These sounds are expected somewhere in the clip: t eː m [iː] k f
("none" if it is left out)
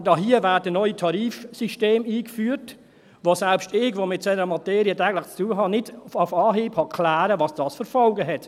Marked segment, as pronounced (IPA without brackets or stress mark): iː